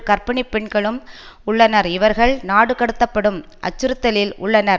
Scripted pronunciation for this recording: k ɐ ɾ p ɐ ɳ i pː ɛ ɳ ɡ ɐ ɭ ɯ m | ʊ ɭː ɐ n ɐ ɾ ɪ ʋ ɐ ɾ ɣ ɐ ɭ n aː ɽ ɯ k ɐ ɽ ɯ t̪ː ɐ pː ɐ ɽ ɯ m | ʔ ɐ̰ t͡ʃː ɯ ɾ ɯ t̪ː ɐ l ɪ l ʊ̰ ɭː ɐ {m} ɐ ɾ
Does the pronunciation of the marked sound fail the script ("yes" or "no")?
yes